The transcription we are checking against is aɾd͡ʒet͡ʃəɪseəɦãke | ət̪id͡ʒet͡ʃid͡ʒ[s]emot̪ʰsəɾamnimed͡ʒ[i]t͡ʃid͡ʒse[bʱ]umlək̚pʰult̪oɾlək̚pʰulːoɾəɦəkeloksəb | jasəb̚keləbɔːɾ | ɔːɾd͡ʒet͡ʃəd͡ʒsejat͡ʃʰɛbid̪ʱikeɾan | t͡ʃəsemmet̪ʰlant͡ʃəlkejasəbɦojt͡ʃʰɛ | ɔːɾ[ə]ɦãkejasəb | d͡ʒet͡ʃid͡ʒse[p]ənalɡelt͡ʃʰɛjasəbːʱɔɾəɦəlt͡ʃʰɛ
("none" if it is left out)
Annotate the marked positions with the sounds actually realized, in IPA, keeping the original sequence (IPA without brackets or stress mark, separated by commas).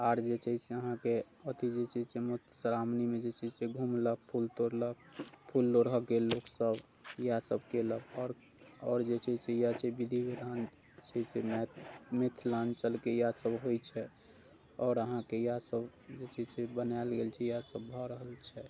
s, e, ɡʱ, ə, b